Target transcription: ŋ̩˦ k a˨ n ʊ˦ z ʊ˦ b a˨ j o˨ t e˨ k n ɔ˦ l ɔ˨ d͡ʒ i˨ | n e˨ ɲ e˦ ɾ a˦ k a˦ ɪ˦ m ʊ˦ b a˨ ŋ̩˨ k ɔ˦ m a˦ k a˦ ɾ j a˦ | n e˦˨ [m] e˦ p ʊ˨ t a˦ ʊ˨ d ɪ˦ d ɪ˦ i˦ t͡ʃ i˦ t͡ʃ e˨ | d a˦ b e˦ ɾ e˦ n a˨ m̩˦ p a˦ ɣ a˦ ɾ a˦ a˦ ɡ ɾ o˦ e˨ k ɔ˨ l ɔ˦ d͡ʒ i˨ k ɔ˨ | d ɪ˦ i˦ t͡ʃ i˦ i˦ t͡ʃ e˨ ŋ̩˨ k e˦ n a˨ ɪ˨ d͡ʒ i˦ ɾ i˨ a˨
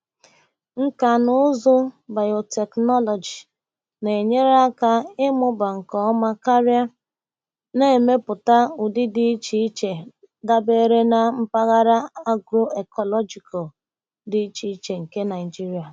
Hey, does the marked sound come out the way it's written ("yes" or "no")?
yes